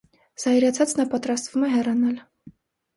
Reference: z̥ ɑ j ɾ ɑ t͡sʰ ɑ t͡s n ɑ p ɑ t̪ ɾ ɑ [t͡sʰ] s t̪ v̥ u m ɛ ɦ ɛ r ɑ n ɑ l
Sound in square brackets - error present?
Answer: yes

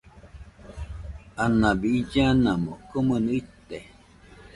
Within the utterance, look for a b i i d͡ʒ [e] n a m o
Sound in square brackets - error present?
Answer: yes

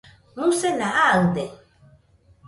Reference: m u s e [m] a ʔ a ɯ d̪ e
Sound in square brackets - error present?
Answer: yes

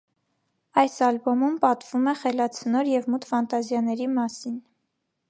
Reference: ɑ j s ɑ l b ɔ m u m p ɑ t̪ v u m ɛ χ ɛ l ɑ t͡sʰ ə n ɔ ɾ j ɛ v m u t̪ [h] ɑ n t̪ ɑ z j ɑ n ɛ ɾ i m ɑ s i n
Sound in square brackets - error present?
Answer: yes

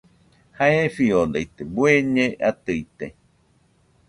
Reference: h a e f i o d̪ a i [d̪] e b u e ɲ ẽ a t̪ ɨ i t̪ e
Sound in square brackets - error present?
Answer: yes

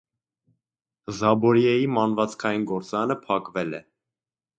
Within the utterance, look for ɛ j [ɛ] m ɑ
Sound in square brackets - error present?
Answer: yes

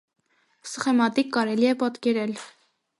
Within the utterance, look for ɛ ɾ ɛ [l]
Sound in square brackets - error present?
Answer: no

